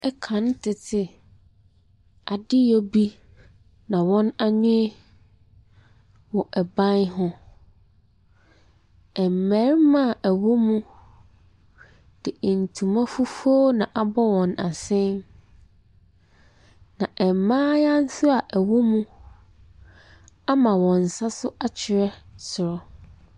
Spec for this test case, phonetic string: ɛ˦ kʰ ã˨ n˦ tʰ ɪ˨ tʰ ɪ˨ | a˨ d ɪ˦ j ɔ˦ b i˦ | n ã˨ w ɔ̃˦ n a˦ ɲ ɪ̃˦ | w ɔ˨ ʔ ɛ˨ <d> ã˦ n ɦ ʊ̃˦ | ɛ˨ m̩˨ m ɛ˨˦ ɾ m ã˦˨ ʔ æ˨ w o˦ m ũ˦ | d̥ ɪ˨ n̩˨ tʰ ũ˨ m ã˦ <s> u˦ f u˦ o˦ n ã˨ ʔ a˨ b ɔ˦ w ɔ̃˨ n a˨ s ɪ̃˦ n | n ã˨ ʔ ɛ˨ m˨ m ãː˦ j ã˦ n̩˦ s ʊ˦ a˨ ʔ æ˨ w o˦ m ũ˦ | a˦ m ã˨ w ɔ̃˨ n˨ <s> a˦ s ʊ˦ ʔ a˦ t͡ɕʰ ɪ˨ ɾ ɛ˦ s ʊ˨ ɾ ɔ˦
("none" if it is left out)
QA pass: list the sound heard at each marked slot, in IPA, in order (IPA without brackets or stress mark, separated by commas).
b, f, s